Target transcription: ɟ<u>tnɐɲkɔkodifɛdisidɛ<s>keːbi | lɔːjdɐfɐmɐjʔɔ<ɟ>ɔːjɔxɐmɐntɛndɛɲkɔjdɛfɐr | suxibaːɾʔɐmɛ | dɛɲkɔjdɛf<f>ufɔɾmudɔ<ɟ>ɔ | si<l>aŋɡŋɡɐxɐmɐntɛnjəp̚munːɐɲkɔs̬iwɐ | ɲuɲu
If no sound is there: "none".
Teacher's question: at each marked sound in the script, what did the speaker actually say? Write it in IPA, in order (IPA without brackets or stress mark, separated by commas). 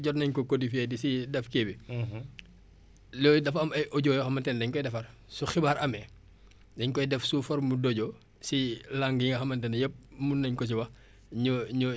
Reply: ɔ, f, ɟ, s, ɟ, l